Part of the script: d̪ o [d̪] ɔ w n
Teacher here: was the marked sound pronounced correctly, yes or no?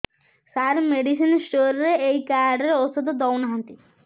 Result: yes